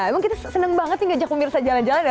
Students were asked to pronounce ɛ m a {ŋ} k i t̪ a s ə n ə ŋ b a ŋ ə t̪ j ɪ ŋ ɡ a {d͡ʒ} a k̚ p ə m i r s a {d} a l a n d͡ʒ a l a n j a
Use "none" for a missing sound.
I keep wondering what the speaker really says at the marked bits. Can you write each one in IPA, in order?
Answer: ŋ, d͡ʒ, d͡ʒ

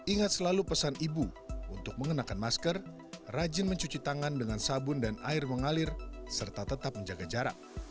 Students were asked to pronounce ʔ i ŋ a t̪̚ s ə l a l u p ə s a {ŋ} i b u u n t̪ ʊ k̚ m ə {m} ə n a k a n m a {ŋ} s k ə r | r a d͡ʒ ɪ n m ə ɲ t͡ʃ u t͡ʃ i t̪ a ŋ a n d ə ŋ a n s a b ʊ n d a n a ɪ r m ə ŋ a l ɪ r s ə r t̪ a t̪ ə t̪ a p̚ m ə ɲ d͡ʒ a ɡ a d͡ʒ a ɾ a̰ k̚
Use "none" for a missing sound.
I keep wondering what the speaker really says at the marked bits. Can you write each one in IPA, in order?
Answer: n, ŋ, none

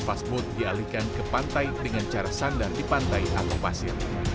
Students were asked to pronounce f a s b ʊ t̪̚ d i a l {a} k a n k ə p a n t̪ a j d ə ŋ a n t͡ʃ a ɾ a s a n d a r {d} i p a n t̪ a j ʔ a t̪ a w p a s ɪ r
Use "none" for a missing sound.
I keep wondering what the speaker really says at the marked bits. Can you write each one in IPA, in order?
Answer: i, d

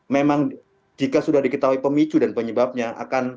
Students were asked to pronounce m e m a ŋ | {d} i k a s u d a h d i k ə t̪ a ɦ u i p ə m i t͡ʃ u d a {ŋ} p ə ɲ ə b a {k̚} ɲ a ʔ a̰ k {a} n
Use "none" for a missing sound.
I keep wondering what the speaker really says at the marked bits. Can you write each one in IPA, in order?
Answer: d͡ʒ, n, p̚, a

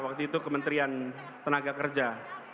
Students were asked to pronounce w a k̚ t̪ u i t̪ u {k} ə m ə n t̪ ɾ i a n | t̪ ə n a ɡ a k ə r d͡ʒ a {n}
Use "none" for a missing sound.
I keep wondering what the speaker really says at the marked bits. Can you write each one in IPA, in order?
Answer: k, none

